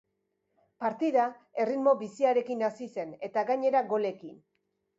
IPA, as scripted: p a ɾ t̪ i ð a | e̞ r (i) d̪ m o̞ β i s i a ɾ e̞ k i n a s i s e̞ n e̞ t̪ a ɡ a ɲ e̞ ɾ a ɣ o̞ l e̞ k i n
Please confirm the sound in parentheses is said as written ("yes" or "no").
yes